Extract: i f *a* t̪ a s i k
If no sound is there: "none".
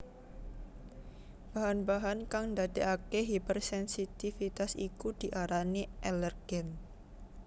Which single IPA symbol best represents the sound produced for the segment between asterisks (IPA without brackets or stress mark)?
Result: i